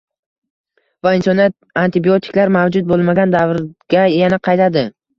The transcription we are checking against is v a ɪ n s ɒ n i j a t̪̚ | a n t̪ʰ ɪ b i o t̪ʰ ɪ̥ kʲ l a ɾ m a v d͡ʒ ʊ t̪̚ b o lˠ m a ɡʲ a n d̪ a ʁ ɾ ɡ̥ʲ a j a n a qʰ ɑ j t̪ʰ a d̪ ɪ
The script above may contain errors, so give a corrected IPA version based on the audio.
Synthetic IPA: v a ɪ n s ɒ n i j a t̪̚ | a n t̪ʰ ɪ b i o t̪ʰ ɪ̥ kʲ l a ɾ m a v d͡ʒ ʊ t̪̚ b o lˠ m a ɡʲ a n d̪ a v ɾ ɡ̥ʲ a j a n a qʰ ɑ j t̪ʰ a d̪ ɪ

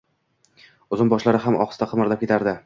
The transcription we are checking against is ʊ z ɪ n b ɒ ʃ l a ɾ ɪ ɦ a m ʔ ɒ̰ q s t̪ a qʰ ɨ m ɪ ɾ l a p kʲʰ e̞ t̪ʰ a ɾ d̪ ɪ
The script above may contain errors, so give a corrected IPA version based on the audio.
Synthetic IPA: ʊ z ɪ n b ɒ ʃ l a ɾ ɪ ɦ a m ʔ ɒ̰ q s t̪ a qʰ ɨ m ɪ ɾ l a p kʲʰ e̞ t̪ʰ a ɾ d̪ ɪ

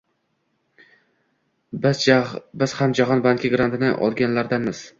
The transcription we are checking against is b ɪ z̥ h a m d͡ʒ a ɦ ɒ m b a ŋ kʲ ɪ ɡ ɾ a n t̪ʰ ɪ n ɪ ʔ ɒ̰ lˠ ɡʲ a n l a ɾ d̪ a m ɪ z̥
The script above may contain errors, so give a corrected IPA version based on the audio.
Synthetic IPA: b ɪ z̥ h a m d͡ʒ a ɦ ɒ n b a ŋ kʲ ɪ ɡ ɾ a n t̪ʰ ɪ n ɪ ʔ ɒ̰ lˠ ɡʲ a n l a ɾ d̪ a m ɪ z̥

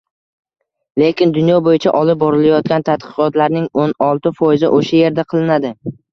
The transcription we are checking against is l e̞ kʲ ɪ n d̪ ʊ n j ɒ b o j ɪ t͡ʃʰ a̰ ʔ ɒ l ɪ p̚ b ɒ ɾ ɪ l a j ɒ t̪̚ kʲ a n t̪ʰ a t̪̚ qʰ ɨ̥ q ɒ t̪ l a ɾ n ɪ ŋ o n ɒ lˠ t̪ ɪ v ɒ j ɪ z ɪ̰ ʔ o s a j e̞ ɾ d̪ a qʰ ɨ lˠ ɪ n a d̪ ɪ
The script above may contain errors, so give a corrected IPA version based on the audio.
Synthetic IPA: l e̞ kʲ ɪ n d̪ ʊ n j ɒ b o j ɪ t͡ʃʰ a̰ ʔ ɒ l ɪ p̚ b ɒ ɾ ɪ l a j ɒ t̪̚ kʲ a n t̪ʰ a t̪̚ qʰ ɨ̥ q ɒ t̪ l a ɾ n ɪ ŋ o n ɒ lˠ t̪ ɪ f ɒ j ɪ z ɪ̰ ʔ o ʃ a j e̞ ɾ d̪ a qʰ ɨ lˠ ɪ n a d̪ ɪ

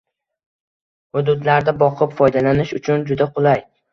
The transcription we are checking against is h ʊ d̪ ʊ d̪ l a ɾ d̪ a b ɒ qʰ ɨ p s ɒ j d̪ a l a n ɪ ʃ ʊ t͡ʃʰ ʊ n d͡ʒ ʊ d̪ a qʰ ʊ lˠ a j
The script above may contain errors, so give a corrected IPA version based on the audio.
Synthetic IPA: h ʊ d̪ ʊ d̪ l a ɾ d̪ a b ɒ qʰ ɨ p f ɒ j d̪ a l a n ɪ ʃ ʊ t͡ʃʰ ʊ n d͡ʒ ʊ d̪ a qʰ ʊ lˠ a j

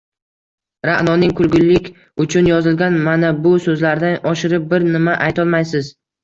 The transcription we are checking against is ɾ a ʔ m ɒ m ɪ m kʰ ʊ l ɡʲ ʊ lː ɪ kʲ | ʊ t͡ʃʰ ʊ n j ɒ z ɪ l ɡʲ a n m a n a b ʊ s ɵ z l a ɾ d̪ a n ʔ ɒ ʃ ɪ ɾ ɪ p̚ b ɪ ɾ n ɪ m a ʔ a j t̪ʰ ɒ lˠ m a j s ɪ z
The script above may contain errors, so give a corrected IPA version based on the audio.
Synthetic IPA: ɾ a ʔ n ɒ n ɪ ŋ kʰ ʊ l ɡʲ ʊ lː ɪ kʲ | ʊ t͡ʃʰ ʊ n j ɒ z ɪ l ɡʲ a n m a n a b ʊ s ɵ z l a ɾ d̪ a n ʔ ɒ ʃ ɪ ɾ ɪ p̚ b ɪ ɾ n ɪ m a ʔ a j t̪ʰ ɒ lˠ m a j s ɪ z

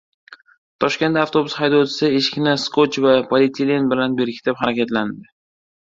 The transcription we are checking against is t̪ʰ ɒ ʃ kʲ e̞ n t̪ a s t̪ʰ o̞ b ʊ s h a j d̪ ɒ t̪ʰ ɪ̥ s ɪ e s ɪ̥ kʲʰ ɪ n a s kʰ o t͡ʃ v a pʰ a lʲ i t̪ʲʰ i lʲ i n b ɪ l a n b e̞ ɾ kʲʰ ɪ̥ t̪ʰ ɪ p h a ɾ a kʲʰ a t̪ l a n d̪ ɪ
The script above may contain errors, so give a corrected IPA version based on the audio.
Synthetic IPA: t̪ʰ ɒ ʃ kʲ e̞ n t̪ a f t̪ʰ o̞ b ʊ s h a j d̪ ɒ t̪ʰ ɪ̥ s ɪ e ʃ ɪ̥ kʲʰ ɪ n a s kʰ o t͡ʃ v a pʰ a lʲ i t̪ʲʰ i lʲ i n b ɪ l a n b e̞ ɾ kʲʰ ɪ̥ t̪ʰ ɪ p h a ɾ a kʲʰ a t̪ l a n d̪ ɪ

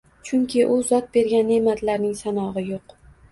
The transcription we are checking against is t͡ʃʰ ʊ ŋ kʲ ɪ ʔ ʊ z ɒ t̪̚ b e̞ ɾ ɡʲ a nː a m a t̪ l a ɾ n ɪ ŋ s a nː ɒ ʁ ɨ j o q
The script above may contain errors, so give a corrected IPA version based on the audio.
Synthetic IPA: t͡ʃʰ ʊ ŋ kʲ ɪ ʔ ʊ z ɒ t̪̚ b e̞ ɾ ɡʲ a nː e m a t̪ l a ɾ n ɪ ŋ s a n ɒ ʁ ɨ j o q

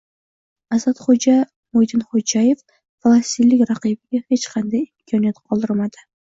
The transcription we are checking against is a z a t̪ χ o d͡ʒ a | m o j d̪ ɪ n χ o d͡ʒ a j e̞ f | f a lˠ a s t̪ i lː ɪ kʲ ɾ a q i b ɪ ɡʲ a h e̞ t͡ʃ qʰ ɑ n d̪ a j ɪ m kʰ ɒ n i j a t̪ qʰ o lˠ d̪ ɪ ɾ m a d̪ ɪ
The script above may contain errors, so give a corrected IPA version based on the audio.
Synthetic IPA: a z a t̪ χ o d͡ʒ a | m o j d̪ ɪ n χ o d͡ʒ a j e̞ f | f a lˠ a s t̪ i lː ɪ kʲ ɾ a q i b ɪ ɡʲ a h e̞ t͡ʃ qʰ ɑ n d̪ a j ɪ m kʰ ɒ n i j a t̪ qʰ ɒ lˠ d̪ ɪ ɾ m a d̪ ɪ

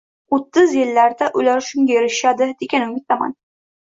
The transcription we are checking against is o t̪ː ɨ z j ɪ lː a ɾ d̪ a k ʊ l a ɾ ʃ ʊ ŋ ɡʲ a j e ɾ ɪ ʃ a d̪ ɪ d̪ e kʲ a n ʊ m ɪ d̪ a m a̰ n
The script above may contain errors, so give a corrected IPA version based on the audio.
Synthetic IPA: o t̪ː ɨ z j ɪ lː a ɾ d̪ a ʔ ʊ l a ɾ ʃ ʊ ŋ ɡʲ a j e ɾ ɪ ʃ a d̪ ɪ d̪ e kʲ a n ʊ m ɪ t̪ a m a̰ n

